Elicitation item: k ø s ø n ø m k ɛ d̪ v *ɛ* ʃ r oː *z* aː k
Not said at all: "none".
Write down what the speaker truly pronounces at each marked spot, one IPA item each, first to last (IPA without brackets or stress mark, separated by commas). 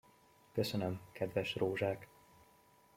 ɛ, ʒ